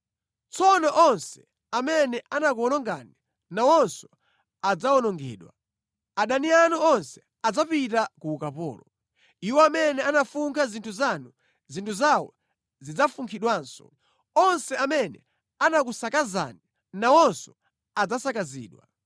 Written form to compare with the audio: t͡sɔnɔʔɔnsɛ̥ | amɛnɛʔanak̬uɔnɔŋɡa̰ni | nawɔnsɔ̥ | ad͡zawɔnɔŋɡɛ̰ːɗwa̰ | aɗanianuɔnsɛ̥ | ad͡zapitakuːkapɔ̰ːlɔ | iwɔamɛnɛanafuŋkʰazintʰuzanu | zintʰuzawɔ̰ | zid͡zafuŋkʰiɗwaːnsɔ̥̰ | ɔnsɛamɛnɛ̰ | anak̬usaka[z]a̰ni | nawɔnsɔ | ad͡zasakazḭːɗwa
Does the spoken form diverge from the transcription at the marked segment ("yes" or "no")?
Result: no